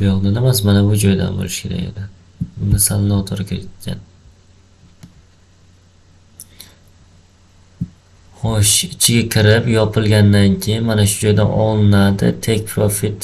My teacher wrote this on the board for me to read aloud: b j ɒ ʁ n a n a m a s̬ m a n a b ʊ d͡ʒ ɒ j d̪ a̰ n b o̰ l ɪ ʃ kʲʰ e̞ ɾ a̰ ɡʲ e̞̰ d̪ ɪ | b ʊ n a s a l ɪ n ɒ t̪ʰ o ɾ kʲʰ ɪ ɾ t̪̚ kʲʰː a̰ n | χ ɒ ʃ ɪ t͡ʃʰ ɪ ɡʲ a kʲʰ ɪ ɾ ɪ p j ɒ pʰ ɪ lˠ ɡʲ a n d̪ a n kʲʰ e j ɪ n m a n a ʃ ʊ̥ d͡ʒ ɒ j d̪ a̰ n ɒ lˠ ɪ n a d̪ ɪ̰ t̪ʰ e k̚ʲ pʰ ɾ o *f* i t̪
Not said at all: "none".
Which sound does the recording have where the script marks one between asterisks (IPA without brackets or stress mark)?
f